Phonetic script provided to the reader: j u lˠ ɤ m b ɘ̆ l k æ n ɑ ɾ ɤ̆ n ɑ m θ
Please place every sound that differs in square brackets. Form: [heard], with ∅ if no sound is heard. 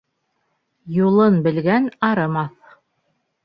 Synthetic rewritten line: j u lˠ ɤ [n] b ɘ̆ l [ɡ] æ n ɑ ɾ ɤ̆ [m] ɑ [∅] θ

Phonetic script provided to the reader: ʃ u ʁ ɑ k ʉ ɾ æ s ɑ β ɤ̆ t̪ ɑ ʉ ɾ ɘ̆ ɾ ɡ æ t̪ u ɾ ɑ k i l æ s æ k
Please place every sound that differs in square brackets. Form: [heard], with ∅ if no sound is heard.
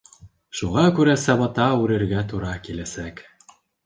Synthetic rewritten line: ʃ u ʁ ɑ k ʉ ɾ æ s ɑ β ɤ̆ t̪ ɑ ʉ ɾ ɘ̆ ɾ ɡ æ t̪ u ɾ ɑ k i l æ s æ k

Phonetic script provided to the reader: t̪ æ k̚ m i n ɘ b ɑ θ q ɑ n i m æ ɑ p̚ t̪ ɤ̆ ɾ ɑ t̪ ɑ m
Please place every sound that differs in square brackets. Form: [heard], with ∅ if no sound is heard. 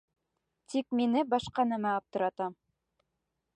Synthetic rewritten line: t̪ [i] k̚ m i n ɘ b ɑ [ʃ] q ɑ n [æ] m æ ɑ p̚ t̪ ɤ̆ ɾ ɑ t̪ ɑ m

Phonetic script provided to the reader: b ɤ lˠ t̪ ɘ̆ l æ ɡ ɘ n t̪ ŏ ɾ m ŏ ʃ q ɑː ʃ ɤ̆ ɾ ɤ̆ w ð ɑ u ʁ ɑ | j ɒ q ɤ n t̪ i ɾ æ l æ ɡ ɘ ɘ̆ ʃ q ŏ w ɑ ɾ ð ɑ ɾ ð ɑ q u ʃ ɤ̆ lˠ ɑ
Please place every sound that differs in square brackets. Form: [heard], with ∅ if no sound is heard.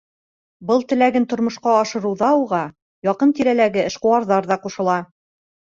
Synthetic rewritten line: b ɤ lˠ t̪ ɘ̆ l æ ɡ ɘ n t̪ ŏ ɾ m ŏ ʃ q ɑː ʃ ɤ̆ ɾ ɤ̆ w ð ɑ u ʁ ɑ | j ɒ q ɤ n t̪ i ɾ æ l æ ɡ ɘ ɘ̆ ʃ q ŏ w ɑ ɾ ð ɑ ɾ ð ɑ q u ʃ ɤ̆ lˠ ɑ

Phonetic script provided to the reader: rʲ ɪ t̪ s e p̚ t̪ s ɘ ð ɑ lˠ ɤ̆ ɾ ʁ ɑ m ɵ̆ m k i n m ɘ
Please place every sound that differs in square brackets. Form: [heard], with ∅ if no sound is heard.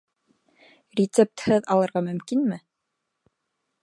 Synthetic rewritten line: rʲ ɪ t̪ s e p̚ t̪ [h] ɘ ð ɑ lˠ ɤ̆ ɾ ʁ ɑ m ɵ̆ m k i n m ɘ

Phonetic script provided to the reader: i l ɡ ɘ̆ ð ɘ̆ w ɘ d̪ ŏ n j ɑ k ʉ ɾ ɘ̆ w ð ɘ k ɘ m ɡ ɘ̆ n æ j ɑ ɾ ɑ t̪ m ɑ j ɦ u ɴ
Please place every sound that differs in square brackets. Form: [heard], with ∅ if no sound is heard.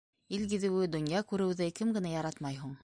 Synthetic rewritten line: i l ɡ ɘ̆ ð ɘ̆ w ɘ d̪ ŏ n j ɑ k ʉ ɾ ɘ̆ w ð ɘ k ɘ m ɡ ɘ̆ n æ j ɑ ɾ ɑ t̪ m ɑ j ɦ u ɴ

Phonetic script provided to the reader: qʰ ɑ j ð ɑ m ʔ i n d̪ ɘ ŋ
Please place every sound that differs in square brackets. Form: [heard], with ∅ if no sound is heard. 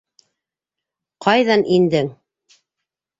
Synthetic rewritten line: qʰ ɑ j ð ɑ [n] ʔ i n d̪ ɘ ŋ

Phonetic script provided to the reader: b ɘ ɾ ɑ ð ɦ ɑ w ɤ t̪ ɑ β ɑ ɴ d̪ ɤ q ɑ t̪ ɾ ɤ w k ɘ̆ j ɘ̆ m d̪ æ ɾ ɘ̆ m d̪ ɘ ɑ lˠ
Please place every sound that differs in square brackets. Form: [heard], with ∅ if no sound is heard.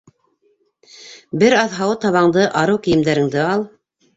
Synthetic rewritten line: b ɘ ɾ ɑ ð ɦ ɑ w ɤ t̪ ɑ β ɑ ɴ d̪ ɤ [ʔ] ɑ [∅] ɾ ɤ w k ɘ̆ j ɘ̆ m d̪ æ ɾ ɘ̆ [ŋ] d̪ ɘ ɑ lˠ

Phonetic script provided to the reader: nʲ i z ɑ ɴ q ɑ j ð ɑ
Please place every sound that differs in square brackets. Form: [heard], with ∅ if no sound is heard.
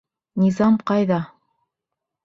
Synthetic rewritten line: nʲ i z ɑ [m] q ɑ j ð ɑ

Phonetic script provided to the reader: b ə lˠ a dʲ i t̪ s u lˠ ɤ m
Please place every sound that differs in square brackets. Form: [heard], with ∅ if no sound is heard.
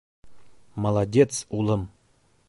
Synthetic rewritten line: [m] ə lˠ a dʲ [e] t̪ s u lˠ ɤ m

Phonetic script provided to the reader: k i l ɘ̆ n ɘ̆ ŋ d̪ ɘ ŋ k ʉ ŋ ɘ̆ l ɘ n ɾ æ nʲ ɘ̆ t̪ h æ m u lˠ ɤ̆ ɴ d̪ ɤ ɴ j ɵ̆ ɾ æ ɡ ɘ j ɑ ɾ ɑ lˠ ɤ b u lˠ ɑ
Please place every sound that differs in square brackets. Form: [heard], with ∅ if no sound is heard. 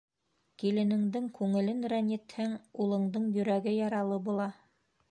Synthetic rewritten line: k i l ɘ̆ n ɘ̆ ŋ d̪ ɘ ŋ k ʉ ŋ ɘ̆ l ɘ n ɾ æ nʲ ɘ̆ t̪ h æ [ŋ] u lˠ ɤ̆ ɴ d̪ ɤ ɴ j ɵ̆ ɾ æ ɡ ɘ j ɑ ɾ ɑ lˠ ɤ b u lˠ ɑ

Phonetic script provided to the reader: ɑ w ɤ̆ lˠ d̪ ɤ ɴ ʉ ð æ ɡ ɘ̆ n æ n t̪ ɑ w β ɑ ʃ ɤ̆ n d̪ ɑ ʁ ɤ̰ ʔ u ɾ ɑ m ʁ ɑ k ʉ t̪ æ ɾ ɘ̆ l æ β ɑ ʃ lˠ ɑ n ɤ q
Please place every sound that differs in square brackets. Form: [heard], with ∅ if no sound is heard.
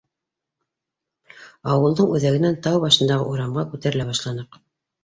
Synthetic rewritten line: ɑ w ɤ̆ lˠ d̪ ɤ ɴ ʉ ð æ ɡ ɘ̆ n æ n t̪ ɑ w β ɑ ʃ ɤ̆ n d̪ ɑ ʁ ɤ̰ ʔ u ɾ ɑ m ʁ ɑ k ʉ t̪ æ ɾ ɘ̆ l æ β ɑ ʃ lˠ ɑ n ɤ q

